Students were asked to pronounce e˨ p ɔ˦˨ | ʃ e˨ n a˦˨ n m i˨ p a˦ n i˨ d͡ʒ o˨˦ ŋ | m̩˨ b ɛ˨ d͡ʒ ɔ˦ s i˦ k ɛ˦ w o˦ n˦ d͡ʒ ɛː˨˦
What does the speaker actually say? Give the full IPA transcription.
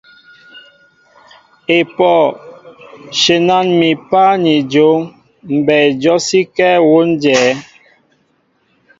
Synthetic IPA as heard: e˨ p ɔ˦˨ | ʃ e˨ n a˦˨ n m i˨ p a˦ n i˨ d͡ʒ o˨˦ ŋ | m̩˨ b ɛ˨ d͡ʒ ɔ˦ s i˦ k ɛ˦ w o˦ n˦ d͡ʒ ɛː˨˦